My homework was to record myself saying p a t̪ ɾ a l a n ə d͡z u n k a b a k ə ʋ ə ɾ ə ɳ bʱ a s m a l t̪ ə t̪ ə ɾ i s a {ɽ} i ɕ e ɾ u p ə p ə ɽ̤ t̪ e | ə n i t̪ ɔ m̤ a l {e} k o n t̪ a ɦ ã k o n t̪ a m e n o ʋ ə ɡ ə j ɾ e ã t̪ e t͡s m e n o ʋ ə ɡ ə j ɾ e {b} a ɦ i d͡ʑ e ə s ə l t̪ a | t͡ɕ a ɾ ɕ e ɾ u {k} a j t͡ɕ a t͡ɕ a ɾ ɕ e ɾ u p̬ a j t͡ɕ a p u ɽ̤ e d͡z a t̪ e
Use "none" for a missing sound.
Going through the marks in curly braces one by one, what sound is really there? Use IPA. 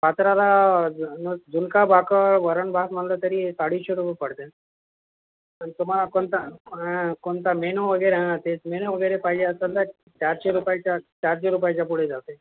ɽ, a, p, p

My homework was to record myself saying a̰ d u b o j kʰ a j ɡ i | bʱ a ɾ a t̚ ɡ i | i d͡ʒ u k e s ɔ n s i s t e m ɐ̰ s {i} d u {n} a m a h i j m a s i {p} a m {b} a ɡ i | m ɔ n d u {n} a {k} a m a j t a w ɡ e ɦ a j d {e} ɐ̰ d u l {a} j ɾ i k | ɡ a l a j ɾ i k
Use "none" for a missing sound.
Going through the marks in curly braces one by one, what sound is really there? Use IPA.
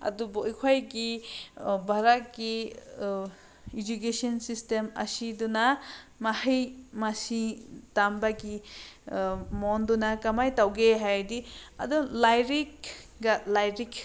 i, n, t, b, n, k, i, a

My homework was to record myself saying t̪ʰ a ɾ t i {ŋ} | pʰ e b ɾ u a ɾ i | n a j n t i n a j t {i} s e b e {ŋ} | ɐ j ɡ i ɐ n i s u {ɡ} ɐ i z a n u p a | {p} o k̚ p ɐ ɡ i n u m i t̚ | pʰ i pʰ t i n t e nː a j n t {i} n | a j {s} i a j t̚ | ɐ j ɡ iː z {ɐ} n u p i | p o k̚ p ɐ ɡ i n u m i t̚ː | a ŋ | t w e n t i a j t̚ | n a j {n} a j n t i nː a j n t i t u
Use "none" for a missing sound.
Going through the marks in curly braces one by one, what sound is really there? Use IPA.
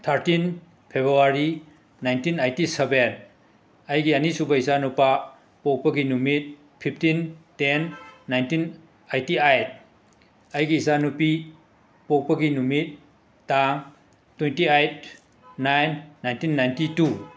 n, i, n, b, p, i, t, a, nː

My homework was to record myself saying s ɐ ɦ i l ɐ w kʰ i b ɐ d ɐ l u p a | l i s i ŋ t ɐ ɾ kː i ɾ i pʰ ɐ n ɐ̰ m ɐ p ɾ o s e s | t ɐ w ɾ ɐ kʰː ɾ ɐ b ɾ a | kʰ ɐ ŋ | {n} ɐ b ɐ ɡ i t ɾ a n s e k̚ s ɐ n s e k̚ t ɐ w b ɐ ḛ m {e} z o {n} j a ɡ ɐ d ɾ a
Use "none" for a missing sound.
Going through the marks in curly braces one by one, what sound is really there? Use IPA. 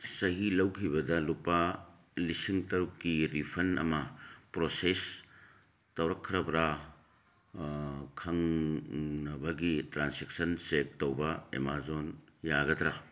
n, a, n

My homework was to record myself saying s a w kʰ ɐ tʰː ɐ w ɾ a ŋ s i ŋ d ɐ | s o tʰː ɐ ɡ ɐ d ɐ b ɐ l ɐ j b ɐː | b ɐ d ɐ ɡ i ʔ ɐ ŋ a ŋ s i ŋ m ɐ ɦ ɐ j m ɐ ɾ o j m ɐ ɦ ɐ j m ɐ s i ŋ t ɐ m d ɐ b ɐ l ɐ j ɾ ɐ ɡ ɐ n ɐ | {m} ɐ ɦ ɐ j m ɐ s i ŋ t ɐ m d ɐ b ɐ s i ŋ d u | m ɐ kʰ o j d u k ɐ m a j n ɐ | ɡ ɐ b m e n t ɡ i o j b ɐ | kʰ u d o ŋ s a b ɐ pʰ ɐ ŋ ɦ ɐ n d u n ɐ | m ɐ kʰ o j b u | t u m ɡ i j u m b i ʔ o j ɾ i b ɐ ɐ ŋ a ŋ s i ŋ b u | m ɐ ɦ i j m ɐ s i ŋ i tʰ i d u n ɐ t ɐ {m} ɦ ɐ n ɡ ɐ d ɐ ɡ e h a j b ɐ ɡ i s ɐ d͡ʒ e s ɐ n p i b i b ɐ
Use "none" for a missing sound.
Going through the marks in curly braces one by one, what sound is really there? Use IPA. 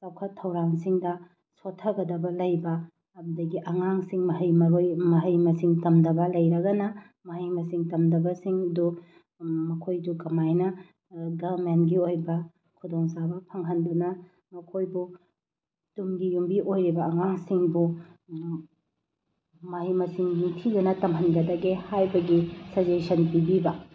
m, m

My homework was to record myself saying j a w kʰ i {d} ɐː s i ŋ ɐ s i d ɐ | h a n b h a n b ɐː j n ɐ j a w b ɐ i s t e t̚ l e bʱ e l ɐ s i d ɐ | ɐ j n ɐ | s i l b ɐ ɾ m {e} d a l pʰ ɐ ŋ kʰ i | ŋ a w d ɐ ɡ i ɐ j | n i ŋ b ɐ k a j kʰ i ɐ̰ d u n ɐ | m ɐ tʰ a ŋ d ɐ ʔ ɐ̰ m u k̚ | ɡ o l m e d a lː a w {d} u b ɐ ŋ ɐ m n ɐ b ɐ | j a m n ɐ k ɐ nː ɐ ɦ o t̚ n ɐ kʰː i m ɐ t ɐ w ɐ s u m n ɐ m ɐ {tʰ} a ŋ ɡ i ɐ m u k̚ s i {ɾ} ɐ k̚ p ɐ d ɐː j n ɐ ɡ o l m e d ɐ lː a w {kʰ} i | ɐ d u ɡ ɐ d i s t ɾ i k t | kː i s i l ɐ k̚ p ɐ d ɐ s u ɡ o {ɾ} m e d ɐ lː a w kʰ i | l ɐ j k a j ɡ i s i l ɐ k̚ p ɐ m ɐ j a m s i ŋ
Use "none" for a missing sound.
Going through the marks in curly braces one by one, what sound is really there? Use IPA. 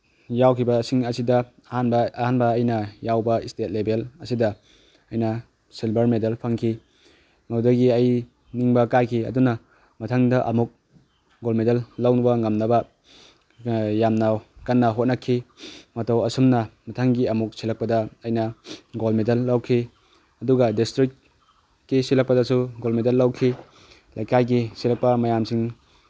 b, e, n, tʰ, l, kʰ, l

